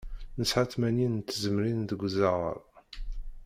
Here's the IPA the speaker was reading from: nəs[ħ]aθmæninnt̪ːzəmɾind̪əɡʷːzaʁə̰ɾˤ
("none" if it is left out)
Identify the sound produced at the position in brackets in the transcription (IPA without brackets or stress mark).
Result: ħ